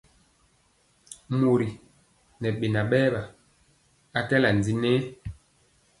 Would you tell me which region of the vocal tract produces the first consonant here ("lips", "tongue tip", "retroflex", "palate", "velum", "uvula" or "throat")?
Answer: lips